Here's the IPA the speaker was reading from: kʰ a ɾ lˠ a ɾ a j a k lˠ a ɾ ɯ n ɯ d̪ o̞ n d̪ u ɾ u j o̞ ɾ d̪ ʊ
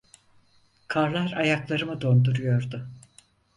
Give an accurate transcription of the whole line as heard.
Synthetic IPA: kʰ a ɾ lˠ a ɾ a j a k lˠ a ɾ ɯ m ɯ d̪ o̞ n d̪ u ɾ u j o̞ ɾ d̪ ʊ